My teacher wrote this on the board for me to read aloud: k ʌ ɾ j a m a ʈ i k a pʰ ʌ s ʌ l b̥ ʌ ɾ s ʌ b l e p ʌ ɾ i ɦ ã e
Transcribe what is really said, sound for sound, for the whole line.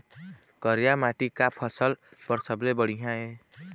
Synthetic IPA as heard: k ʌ ɾ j a m a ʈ i k a pʰ ʌ s ʌ l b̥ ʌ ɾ s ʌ b l e b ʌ ɽ i ɦ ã e